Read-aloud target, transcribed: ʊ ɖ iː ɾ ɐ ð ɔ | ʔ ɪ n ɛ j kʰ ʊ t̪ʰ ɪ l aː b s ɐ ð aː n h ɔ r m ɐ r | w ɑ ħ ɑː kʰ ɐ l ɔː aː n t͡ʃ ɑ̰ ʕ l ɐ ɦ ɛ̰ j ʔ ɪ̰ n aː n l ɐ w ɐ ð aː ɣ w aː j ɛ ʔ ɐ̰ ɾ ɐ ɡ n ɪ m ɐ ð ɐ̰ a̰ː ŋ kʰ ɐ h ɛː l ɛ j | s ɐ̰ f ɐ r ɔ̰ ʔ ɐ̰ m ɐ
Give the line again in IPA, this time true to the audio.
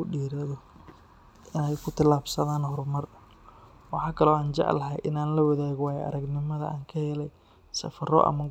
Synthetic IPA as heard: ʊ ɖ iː ɾ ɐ ð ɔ | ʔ ɪ n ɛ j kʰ ʊ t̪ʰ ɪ l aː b s ɐ ð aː n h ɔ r m ɐ r | w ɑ ħ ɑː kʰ ɐ l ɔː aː n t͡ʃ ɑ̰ ʕ l ɐ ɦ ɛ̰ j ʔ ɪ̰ n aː n l ɐ w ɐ ð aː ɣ w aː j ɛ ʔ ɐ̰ ɾ ɐ ɡ n ɪ m ɐ ð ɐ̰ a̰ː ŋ kʰ ɐ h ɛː l ɛ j | s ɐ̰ f ɐ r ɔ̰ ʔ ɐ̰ m ɐ

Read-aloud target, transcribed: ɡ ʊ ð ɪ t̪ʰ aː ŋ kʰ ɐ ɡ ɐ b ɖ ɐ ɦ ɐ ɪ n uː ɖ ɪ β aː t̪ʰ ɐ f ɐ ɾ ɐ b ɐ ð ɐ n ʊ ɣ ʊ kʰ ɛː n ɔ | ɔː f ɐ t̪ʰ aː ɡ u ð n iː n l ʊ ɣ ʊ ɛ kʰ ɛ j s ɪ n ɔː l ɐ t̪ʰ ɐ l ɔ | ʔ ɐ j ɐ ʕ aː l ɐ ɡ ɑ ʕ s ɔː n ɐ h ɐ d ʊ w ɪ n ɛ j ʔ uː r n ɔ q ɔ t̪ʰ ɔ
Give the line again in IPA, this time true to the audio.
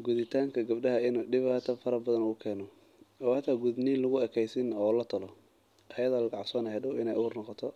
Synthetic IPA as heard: ɡ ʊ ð ɪ t̪ʰ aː ŋ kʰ ɐ ɡ ɐ b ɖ ɐ ɦ ɐ ɪ n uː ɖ ɪ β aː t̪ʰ ɐ f ɐ ɾ ɐ b ɐ ð ɐ n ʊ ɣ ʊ kʰ ɛː n ɔ | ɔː h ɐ t̪ʰ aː ɡ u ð n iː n l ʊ ɣ ʊ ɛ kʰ ɛ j s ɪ n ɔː l ɐ t̪ʰ ɐ l ɔ | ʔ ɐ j ɐ ð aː l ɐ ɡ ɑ ʕ s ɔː n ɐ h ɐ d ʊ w ɪ n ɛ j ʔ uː r n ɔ q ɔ t̪ʰ ɔ

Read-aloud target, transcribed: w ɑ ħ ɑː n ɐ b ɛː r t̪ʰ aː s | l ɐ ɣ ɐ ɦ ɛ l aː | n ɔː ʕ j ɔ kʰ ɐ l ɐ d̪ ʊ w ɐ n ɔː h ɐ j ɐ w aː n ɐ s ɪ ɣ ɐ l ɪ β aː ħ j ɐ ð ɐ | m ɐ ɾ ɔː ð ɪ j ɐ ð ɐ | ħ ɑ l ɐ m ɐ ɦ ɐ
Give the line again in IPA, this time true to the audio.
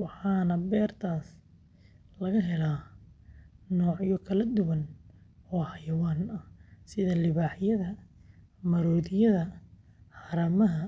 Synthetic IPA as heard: w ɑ ħ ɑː n ɐ b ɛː r t̪ʰ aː s | l ɐ ɣ ɐ ɦ ɛ l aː | n ɔː ʕ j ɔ kʰ ɐ l ɐ d̪ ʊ w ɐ n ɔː h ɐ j ɐ w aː n ɐ s ɪ ð ɐ l ɪ β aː ħ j ɐ ð ɐ | m ɐ ɾ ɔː ð ɪ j ɐ ð ɐ | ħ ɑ ɾ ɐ m ɐ ɦ ɐ

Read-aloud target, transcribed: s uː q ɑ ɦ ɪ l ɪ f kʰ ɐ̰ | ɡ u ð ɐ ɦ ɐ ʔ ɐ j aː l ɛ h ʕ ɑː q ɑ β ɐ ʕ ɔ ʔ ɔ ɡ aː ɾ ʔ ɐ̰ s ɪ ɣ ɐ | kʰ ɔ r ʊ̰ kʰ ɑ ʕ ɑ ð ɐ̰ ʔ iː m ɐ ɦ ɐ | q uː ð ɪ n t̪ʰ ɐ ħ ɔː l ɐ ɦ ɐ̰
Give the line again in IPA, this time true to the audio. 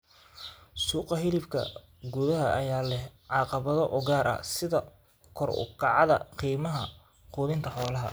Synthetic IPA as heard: s uː q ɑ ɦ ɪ l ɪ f kʰ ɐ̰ | ɡ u ð ɐ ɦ ɐ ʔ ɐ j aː l ɛ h ʕ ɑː q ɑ β ɐ ð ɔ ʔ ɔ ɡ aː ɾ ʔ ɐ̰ s ɪ ð ɐ | kʰ ɔ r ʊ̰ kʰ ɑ ʕ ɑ ð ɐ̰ q iː m ɐ ɦ ɐ | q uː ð ɪ n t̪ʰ ɐ ħ ɔː l ɐ ɦ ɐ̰

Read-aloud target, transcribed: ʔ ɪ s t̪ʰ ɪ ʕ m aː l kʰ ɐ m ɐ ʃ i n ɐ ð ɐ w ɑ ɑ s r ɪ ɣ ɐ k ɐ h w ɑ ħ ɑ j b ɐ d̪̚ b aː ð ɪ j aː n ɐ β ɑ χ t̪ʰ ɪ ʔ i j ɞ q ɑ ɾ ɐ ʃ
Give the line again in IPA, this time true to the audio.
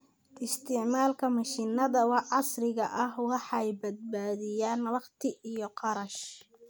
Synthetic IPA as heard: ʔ ɪ s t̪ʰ ɪ ʕ m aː l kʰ ɐ m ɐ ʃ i n ɐ ð ɐ w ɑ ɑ s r ɪ ɣ ɐ ʔ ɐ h w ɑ ħ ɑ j b ɐ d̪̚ b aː ð ɪ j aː n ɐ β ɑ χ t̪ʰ ɪ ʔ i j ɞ q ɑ ɾ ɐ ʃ

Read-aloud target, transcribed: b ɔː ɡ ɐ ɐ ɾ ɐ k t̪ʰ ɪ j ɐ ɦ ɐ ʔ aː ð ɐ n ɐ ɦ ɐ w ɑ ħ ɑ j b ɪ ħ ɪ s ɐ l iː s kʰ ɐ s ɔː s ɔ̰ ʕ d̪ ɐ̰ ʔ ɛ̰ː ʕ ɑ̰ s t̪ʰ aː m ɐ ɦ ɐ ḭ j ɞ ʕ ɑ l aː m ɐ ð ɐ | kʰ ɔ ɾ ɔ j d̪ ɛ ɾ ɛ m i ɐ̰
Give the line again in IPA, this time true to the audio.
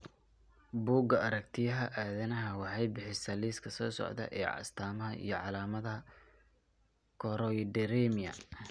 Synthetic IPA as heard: b uː ɡ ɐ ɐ ɾ ɐ k t̪ʰ ɪ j ɐ ɦ ɐ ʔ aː ð ɐ n ɐ ɦ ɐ w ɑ ħ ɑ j b ɪ ħ ɪ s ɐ l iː s kʰ ɐ s ɔː s ɔ̰ ʕ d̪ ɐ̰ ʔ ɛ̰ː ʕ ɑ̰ s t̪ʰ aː m ɐ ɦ ɐ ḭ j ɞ ʕ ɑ l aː m ɐ ð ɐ | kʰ ɔ ɾ ɔ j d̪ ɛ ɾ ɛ m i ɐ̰

